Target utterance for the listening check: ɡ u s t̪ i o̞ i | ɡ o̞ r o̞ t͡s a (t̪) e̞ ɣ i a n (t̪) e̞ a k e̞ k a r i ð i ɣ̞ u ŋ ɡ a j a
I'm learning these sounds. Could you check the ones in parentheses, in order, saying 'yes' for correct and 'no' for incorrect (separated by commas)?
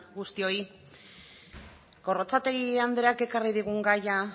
yes, no